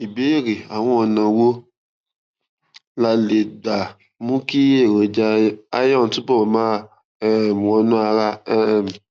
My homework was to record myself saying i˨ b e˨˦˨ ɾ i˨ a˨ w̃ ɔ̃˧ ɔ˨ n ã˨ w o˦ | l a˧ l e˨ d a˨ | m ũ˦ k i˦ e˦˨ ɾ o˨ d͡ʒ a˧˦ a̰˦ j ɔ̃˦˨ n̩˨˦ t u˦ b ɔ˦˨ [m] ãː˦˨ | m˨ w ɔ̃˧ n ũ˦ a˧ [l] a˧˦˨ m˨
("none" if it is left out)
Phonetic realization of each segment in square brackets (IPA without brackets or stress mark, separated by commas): m, ɾ